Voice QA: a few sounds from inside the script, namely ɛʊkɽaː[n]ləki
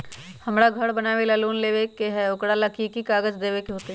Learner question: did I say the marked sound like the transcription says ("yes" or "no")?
no